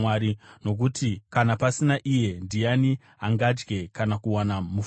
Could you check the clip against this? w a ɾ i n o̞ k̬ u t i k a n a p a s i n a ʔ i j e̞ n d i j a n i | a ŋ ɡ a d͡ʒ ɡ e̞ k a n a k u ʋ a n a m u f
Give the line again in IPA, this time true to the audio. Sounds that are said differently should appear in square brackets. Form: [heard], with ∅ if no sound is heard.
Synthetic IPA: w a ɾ i n o̞ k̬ u t i k a n a p a s i n a ʔ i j e̞ n d i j a n i | a ŋ ɡ a d͡ʒ ɡ e̞ k a n a k u [w] a n a m u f